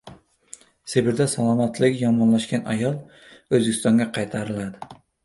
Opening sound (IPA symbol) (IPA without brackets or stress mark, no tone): s